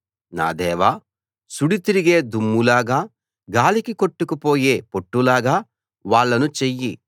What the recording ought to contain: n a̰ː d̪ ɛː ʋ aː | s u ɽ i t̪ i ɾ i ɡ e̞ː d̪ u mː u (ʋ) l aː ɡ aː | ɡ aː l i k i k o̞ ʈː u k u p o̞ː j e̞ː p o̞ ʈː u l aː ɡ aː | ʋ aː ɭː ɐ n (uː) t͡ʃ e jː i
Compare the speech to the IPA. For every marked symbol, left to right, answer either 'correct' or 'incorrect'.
incorrect: none, incorrect: u

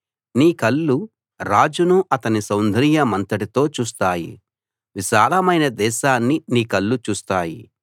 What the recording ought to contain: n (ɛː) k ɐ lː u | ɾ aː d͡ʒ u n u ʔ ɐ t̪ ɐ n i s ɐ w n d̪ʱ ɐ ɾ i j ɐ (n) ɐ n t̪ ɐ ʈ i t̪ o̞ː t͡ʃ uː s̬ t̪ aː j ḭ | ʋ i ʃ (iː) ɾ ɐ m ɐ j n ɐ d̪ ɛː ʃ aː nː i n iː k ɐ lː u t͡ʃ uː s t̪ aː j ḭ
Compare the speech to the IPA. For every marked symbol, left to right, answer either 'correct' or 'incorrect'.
incorrect: iː, incorrect: m, incorrect: aː

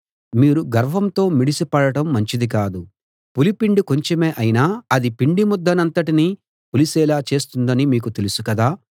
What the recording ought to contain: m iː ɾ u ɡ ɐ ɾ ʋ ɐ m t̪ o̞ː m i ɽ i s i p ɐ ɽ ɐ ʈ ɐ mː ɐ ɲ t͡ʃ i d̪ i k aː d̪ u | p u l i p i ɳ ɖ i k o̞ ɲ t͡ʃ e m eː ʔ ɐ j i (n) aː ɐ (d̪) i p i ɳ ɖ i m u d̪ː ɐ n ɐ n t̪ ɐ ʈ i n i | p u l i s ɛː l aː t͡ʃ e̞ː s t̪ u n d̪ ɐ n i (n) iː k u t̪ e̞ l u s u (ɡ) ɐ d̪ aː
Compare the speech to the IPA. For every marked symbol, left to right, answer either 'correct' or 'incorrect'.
correct, correct, incorrect: m, incorrect: k

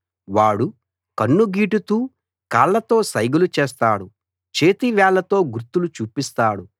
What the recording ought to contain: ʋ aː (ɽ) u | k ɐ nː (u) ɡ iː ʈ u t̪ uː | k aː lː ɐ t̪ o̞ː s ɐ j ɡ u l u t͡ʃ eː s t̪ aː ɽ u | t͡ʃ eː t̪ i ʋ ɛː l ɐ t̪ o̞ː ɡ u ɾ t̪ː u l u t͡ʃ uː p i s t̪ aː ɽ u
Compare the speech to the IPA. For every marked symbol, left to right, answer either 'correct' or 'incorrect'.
correct, correct

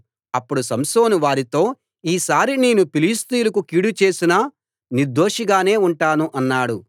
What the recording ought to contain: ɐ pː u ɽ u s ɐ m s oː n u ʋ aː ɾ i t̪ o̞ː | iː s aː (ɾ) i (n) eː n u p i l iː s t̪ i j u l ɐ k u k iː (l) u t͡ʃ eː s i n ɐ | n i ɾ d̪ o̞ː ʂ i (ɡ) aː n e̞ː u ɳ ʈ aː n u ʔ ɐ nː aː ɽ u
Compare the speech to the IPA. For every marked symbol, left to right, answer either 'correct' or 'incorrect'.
correct, correct, incorrect: ɽ, correct

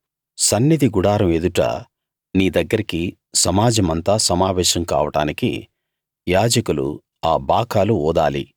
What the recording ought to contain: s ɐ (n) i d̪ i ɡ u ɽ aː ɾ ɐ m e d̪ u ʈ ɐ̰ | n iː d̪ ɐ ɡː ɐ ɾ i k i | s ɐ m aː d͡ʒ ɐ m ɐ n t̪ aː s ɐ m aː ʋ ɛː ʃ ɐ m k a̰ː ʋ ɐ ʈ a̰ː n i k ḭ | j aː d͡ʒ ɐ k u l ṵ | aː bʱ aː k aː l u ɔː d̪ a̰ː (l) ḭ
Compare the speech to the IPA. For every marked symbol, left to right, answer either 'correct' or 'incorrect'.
incorrect: nː, correct

